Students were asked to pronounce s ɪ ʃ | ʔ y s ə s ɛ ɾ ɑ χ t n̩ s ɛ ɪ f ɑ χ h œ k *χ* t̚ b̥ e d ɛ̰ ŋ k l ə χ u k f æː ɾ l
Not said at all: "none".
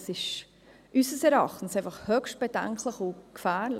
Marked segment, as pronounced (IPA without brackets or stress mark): ʃ